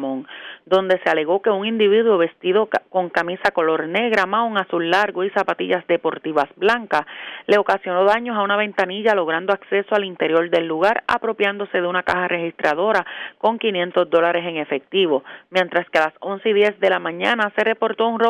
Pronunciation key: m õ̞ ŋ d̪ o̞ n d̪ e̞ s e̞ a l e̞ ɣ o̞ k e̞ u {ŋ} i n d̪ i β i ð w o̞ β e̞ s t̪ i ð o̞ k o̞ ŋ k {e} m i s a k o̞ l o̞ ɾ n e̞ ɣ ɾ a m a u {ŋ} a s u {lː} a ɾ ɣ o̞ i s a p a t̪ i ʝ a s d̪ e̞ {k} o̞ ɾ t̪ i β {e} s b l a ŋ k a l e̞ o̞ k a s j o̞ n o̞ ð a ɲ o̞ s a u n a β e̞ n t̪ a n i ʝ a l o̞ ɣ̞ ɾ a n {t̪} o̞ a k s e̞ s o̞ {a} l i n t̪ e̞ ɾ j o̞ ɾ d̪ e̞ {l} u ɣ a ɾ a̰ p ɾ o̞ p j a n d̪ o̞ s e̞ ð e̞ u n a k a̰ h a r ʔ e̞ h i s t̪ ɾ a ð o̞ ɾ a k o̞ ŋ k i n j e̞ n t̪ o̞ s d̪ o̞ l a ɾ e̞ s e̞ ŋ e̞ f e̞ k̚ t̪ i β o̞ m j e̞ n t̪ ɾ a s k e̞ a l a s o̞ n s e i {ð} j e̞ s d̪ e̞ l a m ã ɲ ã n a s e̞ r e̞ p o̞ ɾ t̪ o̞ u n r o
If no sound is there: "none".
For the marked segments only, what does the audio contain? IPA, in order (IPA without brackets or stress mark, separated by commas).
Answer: ŋ, a, ŋ, lː, p, a, d̪, a, lː, ð